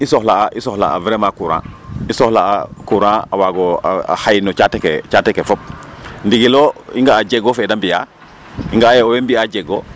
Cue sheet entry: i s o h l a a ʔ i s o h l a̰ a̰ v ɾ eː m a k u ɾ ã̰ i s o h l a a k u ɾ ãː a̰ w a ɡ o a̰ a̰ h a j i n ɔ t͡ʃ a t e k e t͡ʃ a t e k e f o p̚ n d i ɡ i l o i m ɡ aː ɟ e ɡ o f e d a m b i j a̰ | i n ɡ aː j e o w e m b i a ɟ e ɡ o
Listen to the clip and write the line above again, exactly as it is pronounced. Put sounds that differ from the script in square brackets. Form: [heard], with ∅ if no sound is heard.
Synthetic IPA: i s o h l a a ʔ i s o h l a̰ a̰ v ɾ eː m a k u ɾ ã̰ i s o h l a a k u ɾ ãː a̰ w a ɡ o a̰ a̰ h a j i n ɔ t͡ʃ a t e k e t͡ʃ a t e k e f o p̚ n d i ɡ i l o i [ŋ] ɡ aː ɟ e ɡ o f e d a m b i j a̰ | i [ŋ] ɡ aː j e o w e m b i a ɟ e ɡ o